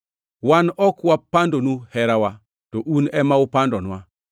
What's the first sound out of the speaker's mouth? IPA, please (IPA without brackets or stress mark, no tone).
w